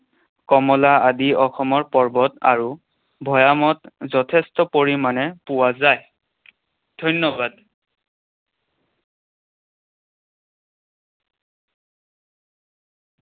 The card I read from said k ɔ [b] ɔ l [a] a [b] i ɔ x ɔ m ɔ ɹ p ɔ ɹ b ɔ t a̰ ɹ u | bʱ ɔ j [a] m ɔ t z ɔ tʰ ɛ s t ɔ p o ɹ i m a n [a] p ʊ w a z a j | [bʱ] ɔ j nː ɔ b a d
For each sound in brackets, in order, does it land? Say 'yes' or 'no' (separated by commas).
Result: no, yes, no, yes, no, no